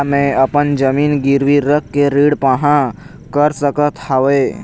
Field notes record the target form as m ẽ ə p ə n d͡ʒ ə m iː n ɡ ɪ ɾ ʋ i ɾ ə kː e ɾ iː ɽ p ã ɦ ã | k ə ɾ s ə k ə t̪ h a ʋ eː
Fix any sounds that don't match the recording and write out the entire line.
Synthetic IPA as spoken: m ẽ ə p ə n d͡ʒ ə m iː n ɡ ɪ ɾ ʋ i ɾ ə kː e ɾ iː ɽ p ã ɦ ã | k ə ɾ s ə k ə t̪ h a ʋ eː

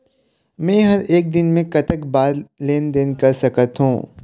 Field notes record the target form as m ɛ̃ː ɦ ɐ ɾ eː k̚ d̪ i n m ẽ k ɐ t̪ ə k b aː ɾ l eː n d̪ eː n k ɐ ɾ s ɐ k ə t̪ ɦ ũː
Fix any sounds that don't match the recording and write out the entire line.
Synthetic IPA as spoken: m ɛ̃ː ɦ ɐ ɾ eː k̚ d̪ ɪ n m ẽ k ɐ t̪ ə k b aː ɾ l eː n d̪ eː n k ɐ ɾ s ɐ k ə t̪ ɦ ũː

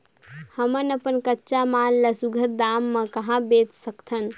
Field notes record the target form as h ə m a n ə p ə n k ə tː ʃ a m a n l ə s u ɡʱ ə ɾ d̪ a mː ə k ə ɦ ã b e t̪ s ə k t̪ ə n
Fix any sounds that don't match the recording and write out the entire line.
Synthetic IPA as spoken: h ə m ə n ə p ə n k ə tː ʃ a m a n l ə s u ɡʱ ə ɾ d̪ a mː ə k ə ɦ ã b e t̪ s ə k t̪ʰ ə n

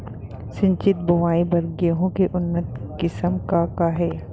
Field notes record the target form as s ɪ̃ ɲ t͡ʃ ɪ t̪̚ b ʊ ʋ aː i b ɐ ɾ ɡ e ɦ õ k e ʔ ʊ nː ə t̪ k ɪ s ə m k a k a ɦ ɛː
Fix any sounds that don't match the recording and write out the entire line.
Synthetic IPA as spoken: s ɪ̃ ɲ t͡ʃ ɪ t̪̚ b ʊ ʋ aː i b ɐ ɾ ɡ e ɦ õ k e ʔ ʊ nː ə t̪ k ɪ s ə m k a k a ɦ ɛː

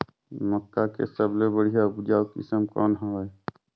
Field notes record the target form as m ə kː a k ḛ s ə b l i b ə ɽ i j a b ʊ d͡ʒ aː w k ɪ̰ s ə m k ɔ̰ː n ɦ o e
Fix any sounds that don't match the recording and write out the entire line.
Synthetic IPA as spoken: m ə kː a k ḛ s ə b l e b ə ɽ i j a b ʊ d͡ʒ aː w k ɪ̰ s ə m k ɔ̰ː n ɦ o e

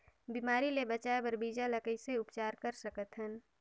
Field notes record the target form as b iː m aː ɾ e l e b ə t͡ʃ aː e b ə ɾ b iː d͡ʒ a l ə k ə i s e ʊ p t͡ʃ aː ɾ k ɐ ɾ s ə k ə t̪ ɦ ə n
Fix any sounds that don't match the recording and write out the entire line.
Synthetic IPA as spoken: b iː m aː ɾ i l e b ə t͡ʃ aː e b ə ɾ b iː d͡ʒ a l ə k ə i s e ʊ p t͡ʃ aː ɾ k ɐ ɾ s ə k ə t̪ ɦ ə n

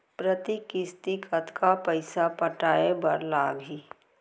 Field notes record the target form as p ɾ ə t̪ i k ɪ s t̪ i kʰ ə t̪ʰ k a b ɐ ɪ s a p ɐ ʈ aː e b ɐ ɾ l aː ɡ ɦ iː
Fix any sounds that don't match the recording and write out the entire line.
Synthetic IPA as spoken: p ɾ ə t̪ i k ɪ s t̪ i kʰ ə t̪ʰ k a p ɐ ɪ s a p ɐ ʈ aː e b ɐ ɾ l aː ɡ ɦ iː

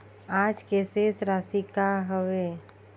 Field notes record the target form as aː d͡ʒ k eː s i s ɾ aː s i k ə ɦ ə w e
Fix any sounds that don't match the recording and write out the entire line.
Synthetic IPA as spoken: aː d͡ʒ k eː s e s ɾ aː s i k a ɦ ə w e

